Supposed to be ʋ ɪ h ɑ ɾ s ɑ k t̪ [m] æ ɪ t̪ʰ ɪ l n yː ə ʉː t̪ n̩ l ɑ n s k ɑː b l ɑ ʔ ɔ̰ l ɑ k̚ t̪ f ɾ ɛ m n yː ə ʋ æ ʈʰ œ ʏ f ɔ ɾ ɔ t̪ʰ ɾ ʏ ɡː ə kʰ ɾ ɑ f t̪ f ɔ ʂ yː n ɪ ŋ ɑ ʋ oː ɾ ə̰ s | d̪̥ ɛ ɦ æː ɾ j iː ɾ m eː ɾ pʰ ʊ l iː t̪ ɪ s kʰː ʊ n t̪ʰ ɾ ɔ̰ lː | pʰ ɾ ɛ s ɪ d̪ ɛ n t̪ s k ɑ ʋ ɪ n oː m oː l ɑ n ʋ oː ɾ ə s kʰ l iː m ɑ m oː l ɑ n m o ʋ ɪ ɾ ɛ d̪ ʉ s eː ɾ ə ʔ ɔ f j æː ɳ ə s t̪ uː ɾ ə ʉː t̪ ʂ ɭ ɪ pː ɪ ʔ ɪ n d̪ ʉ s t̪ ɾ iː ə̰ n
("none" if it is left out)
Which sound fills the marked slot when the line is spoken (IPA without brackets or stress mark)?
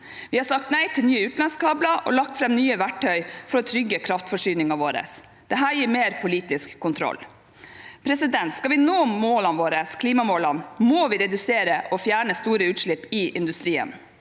n